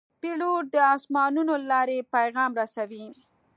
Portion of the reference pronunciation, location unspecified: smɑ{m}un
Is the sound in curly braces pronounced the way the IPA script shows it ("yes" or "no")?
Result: no